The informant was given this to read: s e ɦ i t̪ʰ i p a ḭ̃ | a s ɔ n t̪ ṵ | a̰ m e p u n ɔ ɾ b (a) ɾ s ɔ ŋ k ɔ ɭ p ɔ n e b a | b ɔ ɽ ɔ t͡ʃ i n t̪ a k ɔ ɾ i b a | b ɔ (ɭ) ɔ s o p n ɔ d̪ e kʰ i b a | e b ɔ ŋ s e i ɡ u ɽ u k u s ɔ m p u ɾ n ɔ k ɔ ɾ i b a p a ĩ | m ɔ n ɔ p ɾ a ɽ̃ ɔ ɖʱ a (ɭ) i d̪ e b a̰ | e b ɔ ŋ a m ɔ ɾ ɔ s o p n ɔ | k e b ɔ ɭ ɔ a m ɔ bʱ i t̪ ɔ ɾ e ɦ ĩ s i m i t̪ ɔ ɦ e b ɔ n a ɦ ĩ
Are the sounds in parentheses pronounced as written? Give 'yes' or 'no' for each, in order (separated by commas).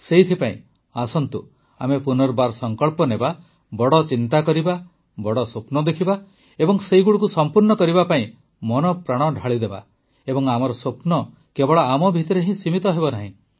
yes, no, yes